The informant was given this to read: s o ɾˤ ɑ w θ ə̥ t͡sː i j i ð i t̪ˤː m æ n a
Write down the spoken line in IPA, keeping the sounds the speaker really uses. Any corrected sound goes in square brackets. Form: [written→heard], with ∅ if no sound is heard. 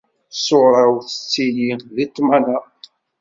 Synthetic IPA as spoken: s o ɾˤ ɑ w θ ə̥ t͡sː i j i ð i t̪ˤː m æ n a

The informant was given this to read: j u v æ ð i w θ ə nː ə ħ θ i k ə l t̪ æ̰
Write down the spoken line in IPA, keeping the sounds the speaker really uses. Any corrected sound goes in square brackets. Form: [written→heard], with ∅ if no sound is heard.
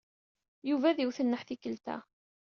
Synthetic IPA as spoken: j u v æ ð i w θ ə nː ə ħ θ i k ə l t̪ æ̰

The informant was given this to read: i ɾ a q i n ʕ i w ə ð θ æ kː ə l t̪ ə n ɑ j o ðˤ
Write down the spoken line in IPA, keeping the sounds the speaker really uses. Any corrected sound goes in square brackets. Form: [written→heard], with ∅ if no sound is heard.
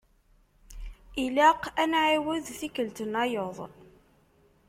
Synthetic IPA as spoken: i [ɾ→l] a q [i→æ] n ʕ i w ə ð θ [æ→i] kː ə l t̪ ə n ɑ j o ðˤ

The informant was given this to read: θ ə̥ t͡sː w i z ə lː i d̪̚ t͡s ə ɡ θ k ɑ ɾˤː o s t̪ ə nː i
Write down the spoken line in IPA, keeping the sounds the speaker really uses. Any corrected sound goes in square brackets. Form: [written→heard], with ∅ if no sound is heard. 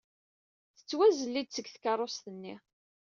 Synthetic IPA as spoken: θ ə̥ t͡sː w [i→æ] z ə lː i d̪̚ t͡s ə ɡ θ k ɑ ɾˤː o s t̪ ə nː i

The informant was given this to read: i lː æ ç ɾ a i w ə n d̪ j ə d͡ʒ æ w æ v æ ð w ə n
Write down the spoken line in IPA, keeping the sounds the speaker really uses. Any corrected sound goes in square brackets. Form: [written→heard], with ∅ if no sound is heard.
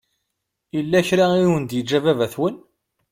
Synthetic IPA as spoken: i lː æ ç ɾ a i w ə n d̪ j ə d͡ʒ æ [w→v] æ v æ [ð→θ] w ə n

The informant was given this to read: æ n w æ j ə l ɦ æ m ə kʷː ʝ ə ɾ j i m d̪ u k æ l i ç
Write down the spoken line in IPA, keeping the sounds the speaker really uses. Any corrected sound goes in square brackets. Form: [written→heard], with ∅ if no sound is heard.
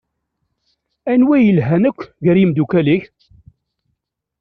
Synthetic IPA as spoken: æ n w æ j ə l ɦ æ [m→n] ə kʷː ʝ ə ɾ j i m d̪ u k æ l i ç

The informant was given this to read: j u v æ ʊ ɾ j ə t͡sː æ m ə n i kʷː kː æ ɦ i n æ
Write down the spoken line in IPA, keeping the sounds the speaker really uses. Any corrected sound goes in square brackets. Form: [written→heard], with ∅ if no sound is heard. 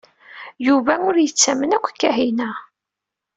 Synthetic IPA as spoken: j u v æ ʊ ɾ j ə t͡sː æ m ə n [i→æ] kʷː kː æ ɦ i n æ

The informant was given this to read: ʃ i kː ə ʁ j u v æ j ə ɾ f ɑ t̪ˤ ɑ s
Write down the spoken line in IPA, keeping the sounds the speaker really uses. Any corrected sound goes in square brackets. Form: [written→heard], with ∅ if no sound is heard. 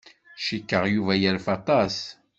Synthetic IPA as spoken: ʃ i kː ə ʁ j u v æ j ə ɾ f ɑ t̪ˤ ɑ s

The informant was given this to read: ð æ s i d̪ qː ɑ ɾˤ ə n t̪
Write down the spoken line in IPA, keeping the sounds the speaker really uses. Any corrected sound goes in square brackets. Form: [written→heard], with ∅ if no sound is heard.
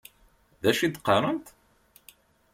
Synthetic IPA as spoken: ð æ [s→ʃ] i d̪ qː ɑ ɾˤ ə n t̪

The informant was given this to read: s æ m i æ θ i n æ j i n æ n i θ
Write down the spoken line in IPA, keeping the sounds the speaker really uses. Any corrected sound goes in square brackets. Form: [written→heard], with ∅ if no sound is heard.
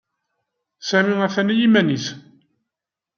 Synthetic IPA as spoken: s æ m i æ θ [i→æ] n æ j i [n→m] æ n i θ

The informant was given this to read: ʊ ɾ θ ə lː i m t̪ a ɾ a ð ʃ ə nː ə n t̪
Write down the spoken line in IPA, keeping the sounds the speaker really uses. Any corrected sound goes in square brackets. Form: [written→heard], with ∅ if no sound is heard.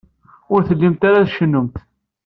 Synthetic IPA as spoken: ʊ ɾ θ ə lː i m t̪ a ɾ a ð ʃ ə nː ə [n→m] t̪

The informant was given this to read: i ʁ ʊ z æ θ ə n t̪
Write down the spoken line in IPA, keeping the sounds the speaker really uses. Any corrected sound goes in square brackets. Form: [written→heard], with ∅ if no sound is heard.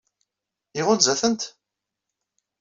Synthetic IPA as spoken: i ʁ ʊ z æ θ ə n t̪

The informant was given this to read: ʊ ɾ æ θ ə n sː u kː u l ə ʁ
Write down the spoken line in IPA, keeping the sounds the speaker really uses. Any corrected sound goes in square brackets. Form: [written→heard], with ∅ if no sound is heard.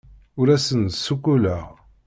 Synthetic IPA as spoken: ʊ ɾ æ [θ→s] ə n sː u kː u l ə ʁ

